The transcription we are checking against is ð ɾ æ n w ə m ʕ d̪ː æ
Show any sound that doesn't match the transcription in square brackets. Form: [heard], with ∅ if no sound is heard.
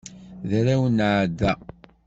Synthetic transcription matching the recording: ð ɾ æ [∅] w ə [n] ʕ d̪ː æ